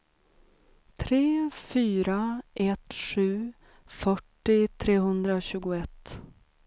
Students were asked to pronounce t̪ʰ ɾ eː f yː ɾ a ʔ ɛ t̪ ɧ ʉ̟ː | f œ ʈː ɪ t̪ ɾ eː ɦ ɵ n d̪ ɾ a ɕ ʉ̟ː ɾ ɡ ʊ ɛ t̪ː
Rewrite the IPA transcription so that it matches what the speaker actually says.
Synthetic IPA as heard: t̪ʰ ɾ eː f yː ɾ a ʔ ɛ t̪ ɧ ʉ̟ː | f œ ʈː ɪ t̪ʰ ɾ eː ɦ ɵ n d̪ ɾ a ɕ ʉ̟ː ɡ ʊ ɛ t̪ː